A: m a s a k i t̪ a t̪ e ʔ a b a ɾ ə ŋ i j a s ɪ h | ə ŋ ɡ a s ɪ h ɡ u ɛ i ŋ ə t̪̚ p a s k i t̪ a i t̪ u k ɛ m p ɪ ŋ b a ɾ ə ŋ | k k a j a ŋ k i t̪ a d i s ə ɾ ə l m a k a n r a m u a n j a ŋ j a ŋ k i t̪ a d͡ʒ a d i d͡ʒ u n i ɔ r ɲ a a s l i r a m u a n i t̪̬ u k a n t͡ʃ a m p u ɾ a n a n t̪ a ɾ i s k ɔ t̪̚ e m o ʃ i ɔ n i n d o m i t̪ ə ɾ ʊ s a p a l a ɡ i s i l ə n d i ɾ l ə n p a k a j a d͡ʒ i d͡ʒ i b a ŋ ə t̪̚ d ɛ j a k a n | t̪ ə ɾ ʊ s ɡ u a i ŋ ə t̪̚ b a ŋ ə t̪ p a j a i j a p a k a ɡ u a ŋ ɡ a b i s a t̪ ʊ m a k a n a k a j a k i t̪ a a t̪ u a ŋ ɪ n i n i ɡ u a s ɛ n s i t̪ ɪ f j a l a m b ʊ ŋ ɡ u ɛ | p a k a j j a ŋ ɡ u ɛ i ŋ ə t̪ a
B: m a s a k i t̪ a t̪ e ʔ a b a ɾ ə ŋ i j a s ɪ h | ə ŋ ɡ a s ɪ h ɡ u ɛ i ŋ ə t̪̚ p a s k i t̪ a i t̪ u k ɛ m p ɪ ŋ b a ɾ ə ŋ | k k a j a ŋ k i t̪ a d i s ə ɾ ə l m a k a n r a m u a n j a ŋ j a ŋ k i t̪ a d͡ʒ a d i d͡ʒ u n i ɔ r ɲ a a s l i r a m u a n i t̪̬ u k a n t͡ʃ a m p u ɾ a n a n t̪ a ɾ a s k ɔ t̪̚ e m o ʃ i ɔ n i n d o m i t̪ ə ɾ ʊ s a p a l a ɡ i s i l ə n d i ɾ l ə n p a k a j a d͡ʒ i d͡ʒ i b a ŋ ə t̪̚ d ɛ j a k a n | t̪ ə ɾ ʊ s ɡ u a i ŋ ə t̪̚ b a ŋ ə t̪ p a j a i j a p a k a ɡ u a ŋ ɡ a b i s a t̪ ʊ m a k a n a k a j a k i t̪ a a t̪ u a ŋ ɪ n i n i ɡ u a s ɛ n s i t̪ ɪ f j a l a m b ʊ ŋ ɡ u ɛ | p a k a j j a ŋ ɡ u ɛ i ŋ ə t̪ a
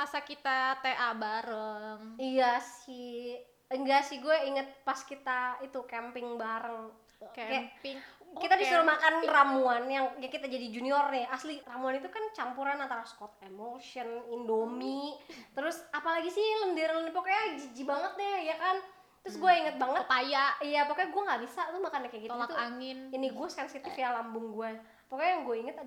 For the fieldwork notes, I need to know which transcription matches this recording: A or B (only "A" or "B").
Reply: B